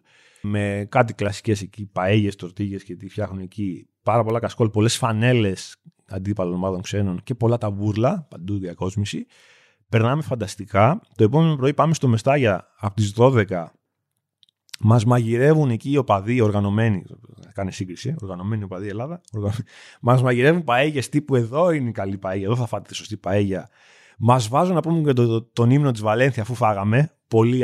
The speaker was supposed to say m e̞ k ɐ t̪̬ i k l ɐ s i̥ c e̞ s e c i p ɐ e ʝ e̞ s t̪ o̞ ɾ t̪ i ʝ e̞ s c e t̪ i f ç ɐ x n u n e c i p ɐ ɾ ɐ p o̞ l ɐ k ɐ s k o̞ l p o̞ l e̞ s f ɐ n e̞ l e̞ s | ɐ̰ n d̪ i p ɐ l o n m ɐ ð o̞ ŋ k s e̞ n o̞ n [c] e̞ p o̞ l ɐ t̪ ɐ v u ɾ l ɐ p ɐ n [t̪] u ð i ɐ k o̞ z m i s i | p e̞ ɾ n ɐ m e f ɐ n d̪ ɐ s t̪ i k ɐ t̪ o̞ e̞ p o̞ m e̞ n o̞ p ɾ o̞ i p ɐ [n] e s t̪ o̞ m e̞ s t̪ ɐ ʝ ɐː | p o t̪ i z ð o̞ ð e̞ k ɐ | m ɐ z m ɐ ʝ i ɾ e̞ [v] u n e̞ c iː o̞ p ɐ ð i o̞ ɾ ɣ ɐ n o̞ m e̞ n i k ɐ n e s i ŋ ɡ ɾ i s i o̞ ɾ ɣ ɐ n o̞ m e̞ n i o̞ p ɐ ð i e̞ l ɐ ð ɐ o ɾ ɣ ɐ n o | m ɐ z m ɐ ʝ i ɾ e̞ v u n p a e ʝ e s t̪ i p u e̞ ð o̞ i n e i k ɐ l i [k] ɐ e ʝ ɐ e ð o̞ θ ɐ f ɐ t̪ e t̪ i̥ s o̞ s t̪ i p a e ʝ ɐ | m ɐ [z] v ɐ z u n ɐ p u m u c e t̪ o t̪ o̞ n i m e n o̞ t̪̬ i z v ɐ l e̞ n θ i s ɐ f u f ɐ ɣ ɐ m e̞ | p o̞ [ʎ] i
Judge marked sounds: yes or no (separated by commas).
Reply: yes, no, no, yes, no, yes, no